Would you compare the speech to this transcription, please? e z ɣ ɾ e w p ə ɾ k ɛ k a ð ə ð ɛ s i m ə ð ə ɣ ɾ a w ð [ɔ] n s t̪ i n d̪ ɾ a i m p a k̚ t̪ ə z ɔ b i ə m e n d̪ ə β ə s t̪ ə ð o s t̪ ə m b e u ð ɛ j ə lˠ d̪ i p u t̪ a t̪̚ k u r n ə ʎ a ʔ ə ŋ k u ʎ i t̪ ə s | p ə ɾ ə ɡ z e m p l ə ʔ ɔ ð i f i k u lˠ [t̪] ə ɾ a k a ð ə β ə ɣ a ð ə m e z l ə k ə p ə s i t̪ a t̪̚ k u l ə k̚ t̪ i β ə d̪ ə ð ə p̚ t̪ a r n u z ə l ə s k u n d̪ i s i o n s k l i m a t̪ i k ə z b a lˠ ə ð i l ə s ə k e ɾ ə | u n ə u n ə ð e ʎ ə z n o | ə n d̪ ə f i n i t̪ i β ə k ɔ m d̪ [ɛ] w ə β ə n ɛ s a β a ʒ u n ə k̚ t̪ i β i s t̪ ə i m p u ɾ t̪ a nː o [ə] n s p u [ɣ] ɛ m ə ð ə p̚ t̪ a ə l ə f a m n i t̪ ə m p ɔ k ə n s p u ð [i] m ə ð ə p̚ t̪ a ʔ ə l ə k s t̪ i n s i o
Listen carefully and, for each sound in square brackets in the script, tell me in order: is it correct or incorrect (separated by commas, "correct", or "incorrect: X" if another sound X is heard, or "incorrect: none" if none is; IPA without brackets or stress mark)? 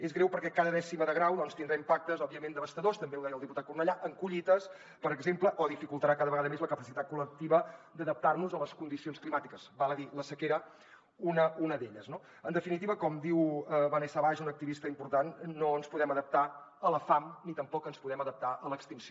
correct, correct, incorrect: i, correct, incorrect: ð, incorrect: ɛ